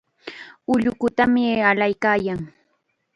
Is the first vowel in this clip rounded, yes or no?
yes